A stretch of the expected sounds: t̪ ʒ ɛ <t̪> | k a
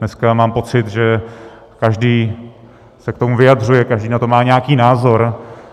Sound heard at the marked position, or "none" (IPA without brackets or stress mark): none